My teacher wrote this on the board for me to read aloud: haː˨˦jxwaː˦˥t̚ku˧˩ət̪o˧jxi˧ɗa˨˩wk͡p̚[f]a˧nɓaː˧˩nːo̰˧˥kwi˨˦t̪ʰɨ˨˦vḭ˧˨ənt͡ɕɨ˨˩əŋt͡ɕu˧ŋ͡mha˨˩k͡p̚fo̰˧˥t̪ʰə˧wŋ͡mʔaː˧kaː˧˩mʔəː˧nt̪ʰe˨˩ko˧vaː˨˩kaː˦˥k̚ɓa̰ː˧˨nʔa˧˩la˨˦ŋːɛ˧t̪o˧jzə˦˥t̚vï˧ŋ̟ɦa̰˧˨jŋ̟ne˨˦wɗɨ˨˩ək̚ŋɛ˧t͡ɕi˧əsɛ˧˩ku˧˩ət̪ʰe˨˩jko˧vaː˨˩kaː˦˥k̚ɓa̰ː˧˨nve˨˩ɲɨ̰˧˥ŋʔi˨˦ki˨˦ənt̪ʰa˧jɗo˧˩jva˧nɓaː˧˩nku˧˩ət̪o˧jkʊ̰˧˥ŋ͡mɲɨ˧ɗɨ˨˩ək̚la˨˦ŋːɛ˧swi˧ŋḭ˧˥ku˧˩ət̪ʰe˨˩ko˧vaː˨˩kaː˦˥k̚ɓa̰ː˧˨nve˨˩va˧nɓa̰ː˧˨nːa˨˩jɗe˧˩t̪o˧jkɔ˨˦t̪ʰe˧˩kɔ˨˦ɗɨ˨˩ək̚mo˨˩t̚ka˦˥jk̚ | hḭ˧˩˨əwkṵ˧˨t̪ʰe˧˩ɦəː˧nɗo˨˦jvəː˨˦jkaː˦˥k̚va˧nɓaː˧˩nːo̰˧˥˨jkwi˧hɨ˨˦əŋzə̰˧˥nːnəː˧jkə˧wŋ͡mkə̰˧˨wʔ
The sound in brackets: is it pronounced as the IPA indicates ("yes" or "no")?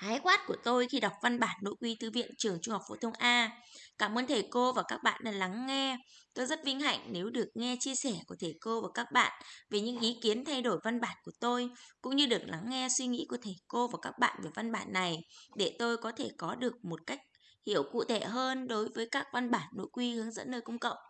no